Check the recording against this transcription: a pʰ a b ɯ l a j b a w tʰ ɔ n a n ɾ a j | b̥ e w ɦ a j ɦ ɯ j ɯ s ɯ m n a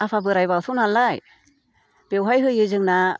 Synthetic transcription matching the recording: a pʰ a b ɯ ɾ a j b a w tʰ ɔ n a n l a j | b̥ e w ɦ a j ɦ ɯ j ɯ z ɯ ŋ n a